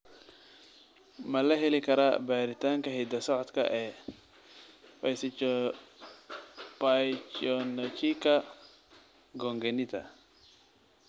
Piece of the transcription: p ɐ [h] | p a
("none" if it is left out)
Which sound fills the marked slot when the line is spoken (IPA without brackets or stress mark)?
s